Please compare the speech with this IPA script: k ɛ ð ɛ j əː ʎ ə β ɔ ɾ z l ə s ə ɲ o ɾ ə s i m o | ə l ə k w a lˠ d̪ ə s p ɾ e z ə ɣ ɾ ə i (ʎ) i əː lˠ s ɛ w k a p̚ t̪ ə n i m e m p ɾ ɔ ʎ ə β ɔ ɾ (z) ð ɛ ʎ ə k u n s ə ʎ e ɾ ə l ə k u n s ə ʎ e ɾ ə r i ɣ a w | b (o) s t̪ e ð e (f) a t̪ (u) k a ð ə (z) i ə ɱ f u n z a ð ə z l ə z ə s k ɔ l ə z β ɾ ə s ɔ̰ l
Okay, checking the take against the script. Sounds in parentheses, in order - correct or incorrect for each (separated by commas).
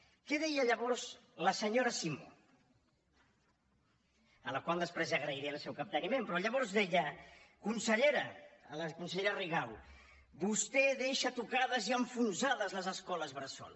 incorrect, correct, incorrect, incorrect, correct, correct